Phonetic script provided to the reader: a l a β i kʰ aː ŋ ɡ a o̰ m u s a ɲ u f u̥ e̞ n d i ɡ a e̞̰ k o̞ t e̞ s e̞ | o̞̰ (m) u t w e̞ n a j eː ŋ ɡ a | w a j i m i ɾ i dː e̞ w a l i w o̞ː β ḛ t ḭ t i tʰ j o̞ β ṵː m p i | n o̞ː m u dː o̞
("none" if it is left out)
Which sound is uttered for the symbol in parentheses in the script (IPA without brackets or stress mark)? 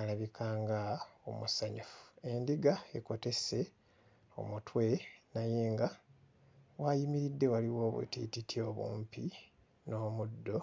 m